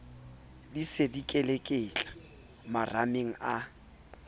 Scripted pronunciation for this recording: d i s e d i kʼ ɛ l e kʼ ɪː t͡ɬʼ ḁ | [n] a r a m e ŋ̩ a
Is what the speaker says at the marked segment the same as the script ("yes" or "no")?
no